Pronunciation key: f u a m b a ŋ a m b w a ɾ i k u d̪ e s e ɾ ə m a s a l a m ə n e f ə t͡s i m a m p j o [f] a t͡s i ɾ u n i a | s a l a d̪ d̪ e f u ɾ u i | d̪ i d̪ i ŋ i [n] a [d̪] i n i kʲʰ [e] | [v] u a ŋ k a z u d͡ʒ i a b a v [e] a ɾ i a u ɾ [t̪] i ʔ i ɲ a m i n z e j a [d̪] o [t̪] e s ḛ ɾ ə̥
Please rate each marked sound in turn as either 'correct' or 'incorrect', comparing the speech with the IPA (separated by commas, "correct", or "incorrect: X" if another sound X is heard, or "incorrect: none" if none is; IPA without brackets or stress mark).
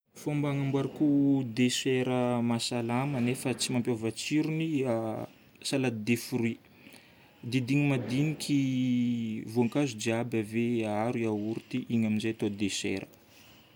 incorrect: v, incorrect: m, correct, incorrect: i, correct, correct, correct, incorrect: t̪, incorrect: d̪